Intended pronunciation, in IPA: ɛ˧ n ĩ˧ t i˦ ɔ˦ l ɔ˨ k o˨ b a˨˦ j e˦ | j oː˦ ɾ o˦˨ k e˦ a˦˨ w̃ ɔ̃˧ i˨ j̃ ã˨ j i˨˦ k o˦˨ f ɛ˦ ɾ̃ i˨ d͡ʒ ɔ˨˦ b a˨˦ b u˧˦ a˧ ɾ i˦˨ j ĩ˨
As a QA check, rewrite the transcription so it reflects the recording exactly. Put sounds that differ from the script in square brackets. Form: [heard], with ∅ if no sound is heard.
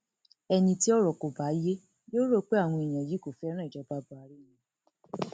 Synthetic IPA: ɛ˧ n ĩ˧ t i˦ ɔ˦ [ɾ] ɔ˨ k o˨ b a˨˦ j e˦ | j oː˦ ɾ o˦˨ [k͡p] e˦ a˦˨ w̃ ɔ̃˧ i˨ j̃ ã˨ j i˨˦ k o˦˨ f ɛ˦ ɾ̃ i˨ d͡ʒ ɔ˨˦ b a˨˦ b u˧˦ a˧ ɾ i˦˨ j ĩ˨